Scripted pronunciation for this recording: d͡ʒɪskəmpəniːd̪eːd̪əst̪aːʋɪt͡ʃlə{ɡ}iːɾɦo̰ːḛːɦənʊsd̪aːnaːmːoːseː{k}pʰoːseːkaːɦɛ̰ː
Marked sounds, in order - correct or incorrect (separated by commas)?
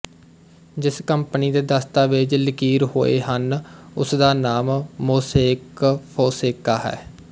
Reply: incorrect, correct